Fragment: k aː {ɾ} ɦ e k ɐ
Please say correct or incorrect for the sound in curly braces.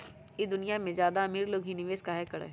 incorrect